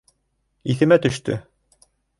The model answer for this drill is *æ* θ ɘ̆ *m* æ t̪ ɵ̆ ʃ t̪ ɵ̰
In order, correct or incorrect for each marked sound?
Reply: incorrect, correct

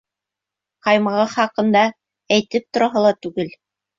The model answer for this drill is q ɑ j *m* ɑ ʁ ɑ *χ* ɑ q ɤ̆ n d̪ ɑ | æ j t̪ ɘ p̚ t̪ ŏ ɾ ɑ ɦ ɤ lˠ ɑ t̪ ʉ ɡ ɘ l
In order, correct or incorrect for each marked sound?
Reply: correct, correct

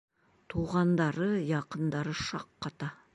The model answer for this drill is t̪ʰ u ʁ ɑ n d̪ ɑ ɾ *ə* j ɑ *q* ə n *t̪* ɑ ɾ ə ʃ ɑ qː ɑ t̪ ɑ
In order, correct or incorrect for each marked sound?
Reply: correct, correct, incorrect

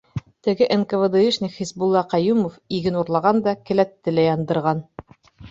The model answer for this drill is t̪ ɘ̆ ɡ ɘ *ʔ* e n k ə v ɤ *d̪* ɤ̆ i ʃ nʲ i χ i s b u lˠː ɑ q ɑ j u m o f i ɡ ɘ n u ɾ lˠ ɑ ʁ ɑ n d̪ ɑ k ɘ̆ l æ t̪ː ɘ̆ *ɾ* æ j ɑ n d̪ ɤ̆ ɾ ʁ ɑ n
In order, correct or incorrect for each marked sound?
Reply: correct, correct, incorrect

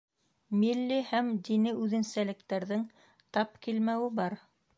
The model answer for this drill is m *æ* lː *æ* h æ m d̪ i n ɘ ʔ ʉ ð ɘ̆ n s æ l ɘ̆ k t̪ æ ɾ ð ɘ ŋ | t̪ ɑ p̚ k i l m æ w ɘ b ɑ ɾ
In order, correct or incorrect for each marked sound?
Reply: incorrect, incorrect

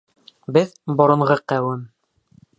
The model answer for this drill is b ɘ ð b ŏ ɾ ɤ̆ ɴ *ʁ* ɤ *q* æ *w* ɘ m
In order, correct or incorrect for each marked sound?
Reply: correct, correct, correct

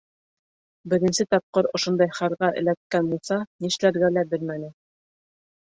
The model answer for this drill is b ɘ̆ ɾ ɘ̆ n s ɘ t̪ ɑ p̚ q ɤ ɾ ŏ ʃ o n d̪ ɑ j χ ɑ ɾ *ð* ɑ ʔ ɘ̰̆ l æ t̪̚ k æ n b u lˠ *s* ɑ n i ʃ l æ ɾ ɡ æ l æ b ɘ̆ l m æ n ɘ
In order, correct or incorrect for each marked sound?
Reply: incorrect, correct

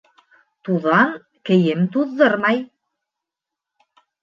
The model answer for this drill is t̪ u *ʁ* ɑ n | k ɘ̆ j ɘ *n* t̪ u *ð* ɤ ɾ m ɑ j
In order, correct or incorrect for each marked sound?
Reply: incorrect, incorrect, incorrect

